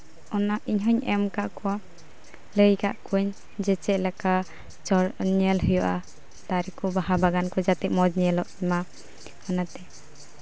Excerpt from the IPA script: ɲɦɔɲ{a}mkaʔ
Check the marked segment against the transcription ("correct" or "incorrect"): incorrect